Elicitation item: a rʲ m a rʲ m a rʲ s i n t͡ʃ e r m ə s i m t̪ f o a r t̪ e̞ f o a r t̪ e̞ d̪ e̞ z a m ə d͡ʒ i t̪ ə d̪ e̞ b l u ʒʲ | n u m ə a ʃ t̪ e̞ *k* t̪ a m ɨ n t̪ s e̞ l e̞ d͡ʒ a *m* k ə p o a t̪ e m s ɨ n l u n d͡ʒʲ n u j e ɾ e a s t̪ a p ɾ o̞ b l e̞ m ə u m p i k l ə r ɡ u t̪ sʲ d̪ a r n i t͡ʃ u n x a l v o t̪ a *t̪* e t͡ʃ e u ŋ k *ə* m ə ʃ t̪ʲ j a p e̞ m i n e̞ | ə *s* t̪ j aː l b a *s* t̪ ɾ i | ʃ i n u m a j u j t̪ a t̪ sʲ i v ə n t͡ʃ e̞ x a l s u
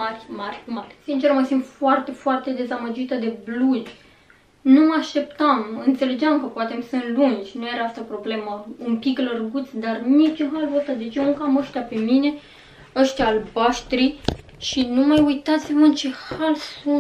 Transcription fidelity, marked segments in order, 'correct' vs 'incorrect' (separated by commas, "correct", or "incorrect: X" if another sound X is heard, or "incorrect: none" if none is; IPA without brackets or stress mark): incorrect: p, correct, incorrect: d̪, incorrect: a, incorrect: ʃ, incorrect: ʃ